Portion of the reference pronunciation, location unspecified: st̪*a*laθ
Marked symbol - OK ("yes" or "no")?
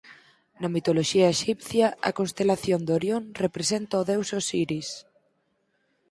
no